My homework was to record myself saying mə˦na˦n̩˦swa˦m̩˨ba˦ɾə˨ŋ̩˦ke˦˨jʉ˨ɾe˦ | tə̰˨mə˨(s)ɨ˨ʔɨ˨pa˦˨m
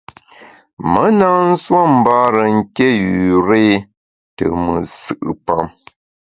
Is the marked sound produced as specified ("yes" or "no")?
yes